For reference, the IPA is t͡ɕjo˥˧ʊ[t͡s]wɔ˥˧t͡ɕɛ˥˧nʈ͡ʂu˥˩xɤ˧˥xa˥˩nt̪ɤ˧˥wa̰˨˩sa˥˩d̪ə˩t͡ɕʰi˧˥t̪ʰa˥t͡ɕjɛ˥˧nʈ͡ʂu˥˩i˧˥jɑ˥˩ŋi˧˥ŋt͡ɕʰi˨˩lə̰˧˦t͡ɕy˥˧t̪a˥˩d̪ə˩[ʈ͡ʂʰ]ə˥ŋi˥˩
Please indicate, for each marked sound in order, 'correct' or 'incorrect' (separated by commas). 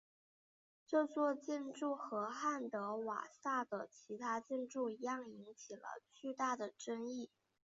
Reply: correct, incorrect